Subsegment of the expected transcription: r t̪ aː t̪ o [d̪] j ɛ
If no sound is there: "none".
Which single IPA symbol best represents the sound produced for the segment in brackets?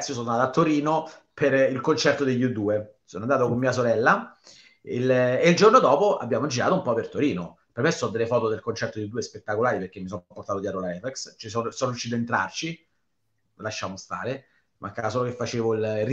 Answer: d̪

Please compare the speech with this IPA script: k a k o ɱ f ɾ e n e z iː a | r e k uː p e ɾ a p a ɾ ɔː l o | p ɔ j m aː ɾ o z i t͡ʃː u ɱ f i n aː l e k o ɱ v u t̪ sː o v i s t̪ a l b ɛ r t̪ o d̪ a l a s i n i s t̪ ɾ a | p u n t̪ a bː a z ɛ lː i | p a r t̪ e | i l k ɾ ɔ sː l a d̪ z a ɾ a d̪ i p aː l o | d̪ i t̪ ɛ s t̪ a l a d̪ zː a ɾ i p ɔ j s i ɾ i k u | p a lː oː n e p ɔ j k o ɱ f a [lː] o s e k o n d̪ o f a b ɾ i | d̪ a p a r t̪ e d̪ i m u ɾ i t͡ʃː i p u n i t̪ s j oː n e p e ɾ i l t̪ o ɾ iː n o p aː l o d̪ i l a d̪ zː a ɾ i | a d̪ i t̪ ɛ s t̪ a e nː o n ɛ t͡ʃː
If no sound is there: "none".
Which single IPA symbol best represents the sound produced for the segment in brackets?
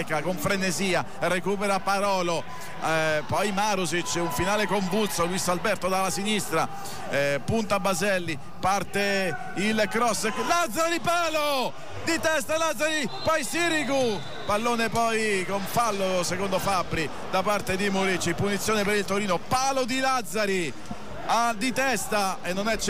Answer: lː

